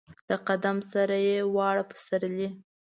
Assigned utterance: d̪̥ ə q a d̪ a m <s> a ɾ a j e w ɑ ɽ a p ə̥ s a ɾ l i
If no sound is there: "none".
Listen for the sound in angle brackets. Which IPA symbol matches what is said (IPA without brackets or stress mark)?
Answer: s